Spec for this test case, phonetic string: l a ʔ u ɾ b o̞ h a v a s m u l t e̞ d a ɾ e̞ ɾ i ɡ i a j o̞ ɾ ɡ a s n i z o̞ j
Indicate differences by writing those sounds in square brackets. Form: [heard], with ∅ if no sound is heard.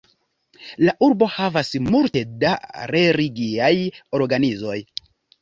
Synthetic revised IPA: l a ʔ u ɾ b o̞ h a v a s m u l t e̞ d a ɾ e̞ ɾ i ɡ i a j o̞ ɾ ɡ a [∅] n i z o̞ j